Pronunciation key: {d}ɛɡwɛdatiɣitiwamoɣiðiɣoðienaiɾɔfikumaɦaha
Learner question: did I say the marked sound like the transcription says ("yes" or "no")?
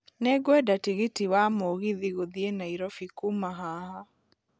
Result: no